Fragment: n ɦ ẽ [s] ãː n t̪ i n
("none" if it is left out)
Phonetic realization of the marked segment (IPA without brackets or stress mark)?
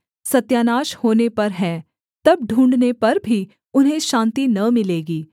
ʃ